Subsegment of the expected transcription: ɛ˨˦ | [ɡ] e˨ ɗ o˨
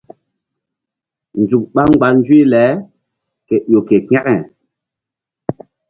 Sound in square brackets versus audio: incorrect: k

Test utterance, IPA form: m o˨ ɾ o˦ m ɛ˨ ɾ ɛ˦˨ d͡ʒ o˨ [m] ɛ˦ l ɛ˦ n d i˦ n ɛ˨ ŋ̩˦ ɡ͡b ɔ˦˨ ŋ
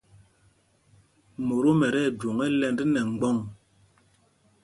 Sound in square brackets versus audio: incorrect: ŋ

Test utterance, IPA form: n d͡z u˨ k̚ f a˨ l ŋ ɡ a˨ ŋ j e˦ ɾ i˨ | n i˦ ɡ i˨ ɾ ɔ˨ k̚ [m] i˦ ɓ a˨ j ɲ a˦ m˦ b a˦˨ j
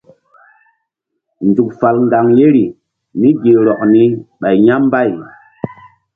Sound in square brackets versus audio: incorrect: n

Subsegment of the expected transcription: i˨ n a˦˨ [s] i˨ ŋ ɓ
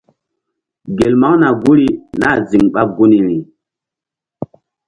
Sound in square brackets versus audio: incorrect: z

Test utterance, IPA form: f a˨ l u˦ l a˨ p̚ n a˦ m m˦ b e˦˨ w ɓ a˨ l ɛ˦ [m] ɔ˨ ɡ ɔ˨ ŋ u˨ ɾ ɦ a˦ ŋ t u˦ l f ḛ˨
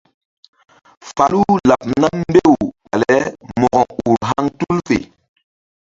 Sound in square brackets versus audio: correct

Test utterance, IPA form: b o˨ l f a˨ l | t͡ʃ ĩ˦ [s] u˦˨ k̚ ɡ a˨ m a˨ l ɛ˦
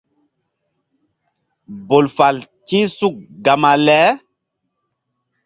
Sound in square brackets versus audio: correct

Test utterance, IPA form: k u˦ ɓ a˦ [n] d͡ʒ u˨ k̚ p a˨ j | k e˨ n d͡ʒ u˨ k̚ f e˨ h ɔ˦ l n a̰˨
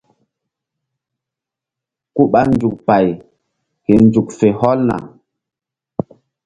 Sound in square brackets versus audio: correct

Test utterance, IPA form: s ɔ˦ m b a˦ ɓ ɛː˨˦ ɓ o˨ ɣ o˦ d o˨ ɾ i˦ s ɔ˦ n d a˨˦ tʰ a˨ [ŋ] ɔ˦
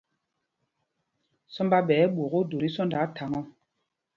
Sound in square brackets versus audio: correct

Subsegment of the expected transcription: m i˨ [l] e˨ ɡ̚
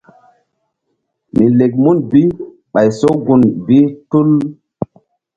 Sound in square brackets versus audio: correct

